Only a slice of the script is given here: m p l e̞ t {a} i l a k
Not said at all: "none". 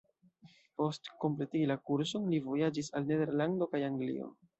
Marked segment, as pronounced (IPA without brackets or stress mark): i